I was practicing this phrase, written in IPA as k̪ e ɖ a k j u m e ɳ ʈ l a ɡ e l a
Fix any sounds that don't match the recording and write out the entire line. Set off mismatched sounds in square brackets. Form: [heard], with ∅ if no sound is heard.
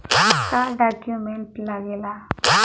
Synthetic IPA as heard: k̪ [a] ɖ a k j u m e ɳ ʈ l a ɡ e l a